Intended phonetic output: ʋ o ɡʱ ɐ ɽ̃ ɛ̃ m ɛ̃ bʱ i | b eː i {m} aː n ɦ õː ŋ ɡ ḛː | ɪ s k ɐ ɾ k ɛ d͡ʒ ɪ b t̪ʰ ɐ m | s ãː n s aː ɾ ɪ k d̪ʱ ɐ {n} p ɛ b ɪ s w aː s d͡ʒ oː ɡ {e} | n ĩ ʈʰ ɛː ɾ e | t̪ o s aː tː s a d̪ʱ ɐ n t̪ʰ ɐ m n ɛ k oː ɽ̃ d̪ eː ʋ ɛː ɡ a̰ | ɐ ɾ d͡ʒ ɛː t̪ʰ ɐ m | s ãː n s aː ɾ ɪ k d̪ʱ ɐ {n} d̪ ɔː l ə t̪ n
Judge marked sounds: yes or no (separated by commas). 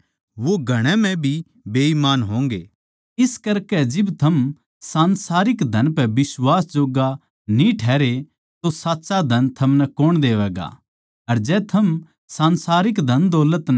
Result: yes, yes, no, yes